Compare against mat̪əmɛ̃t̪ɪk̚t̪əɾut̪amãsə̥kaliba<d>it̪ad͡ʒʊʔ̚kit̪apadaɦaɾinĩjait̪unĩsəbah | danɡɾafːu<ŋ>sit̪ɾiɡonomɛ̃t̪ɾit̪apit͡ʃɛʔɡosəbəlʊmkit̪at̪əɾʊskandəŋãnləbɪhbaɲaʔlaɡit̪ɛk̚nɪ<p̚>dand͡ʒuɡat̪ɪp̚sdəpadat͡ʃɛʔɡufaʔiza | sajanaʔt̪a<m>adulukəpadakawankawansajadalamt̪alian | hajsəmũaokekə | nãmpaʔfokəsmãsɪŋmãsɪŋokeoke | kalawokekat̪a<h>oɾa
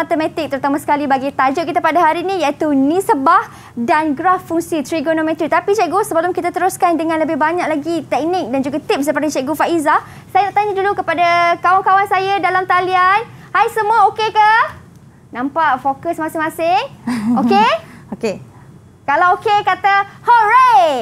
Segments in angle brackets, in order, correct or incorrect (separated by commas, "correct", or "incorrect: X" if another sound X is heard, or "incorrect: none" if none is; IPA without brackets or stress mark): incorrect: ɡ, correct, incorrect: k̚, incorrect: ɲ, correct